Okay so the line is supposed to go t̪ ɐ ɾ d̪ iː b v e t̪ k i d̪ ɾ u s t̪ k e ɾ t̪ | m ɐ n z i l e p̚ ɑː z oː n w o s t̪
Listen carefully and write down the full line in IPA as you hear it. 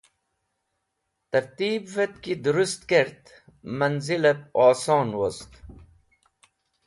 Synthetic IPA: t̪ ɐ ɾ t̪ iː b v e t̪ k i d̪ ɾ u s t̪ k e ɾ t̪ | m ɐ n z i l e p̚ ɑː s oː n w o s t̪

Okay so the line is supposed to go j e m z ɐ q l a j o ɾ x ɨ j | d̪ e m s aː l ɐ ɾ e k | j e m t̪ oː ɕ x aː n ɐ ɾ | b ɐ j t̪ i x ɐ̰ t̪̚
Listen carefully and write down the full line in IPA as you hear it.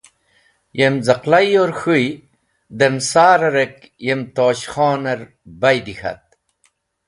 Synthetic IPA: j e m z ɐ q l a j o ɾ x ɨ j | d̪ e m s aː ɾ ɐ ɾ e k | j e m t̪ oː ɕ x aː n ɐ ɾ | b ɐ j d̪ i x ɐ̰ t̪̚

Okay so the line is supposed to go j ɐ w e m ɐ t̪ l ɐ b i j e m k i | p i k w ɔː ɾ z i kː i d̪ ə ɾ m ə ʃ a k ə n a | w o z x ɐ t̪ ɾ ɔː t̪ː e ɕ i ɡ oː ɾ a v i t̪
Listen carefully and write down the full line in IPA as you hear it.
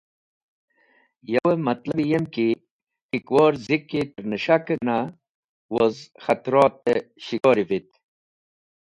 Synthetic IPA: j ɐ w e m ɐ t̪ l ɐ b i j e m k i | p i k w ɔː ɾ z i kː i t̪ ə ɾ n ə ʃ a k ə n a | w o z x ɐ t̪ ɾ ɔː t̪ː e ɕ i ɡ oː ɾ i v i t̪

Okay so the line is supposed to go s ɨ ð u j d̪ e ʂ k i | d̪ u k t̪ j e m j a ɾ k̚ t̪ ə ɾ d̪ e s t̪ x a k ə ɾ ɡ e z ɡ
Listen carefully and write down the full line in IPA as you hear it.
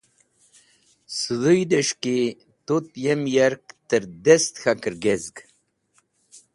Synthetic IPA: s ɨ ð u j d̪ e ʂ k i | t̪ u t̪ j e m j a ɾ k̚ t̪ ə ɾ d̪ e s t̪ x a k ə ɾ ɡ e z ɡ

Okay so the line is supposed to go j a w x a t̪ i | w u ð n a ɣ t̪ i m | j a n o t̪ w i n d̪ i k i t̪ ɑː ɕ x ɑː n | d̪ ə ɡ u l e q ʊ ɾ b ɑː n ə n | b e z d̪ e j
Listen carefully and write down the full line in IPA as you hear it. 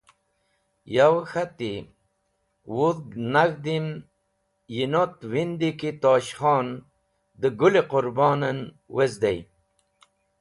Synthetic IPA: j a w x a t̪ i | w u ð n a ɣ d̪ i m | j i n o t̪ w i n d̪ i k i t̪ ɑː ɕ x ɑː n | d̪ ə ɡ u l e q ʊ ɾ b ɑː n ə n | w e z d̪ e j

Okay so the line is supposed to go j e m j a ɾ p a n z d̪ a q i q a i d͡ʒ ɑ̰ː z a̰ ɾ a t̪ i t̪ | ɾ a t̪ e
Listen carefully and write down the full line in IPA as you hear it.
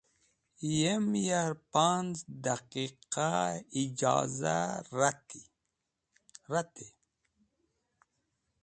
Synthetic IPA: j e m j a ɾ p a n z d̪ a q i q a i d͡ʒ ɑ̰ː z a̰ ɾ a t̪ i | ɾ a t̪ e

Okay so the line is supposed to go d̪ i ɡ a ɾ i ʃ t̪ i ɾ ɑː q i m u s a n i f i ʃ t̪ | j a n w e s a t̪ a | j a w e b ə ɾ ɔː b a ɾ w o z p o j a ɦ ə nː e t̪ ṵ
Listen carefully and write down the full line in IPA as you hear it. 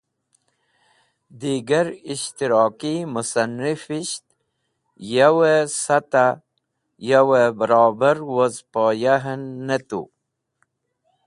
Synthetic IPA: d̪ i ɡ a ɾ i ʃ t̪ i ɾ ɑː k i m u s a n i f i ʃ t̪ | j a w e s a t̪ a | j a w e b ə ɾ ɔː b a ɾ w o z p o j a ɦ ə nː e t̪ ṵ

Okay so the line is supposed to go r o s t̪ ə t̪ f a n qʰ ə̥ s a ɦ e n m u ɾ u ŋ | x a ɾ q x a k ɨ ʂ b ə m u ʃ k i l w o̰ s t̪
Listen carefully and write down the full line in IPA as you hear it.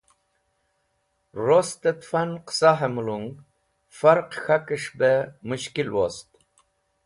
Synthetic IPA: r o s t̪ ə t̪ f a n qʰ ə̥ s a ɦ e m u l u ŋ | f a ɾ q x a k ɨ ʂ b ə m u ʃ k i l w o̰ s t̪

